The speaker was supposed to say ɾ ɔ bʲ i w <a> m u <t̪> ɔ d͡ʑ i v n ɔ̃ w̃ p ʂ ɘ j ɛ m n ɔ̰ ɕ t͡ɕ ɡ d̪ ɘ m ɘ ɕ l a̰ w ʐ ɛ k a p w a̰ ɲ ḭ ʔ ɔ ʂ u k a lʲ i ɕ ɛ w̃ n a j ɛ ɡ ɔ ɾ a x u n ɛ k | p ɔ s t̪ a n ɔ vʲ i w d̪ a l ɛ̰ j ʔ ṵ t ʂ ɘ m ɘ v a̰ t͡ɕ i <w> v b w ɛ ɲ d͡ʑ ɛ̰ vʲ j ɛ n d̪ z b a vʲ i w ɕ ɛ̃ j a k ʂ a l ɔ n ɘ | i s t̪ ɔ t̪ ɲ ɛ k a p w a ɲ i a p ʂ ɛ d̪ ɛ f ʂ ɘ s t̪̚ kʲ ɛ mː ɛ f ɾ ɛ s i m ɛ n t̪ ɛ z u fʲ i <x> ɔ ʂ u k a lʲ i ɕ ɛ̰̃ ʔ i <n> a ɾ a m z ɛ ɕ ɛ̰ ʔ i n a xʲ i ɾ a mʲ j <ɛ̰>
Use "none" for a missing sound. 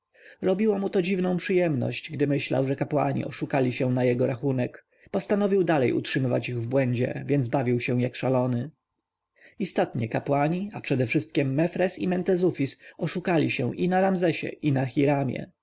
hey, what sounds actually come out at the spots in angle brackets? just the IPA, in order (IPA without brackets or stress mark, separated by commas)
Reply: a, t̪, ɣ, s, n, ɛ̰